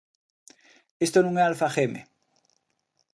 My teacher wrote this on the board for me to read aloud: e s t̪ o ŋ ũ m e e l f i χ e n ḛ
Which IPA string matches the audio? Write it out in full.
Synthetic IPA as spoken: e s t̪ o n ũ ŋ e a l f a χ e m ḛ